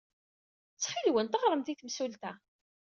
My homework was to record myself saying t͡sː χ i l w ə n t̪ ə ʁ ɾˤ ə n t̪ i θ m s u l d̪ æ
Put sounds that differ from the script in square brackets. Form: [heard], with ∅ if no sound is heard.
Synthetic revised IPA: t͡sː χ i l w ə n t̪ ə ʁ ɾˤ ə [m] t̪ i θ m s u l [t̪] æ